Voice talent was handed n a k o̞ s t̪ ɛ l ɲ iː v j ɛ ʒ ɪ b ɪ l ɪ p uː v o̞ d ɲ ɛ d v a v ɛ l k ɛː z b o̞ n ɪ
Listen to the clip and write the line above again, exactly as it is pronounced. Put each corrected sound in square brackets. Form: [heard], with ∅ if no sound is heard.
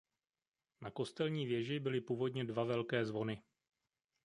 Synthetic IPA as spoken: n a k o̞ s t̪ ɛ l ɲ iː v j ɛ ʒ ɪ b ɪ l ɪ p uː v o̞ d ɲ ɛ d v a v ɛ l k ɛː z [v] o̞ n ɪ